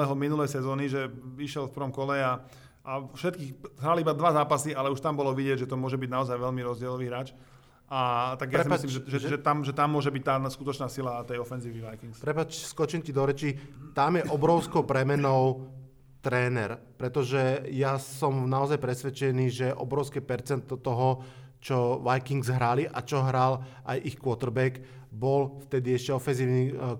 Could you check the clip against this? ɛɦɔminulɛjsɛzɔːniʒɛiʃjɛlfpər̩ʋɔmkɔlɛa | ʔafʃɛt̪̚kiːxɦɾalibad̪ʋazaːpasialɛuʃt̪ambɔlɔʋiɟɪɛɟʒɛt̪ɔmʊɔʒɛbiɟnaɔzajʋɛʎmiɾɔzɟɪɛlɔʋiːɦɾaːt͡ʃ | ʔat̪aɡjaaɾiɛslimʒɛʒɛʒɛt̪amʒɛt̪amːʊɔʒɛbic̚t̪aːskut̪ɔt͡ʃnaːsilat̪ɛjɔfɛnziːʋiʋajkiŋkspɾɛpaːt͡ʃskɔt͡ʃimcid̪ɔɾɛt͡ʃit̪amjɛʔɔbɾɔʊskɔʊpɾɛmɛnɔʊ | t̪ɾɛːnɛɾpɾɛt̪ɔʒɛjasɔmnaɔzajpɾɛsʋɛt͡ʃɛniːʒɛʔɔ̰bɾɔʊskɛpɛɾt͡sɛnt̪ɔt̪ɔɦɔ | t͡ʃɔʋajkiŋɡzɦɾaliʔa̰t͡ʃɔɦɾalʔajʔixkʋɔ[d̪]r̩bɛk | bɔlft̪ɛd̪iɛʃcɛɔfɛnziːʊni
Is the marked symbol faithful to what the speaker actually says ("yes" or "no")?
no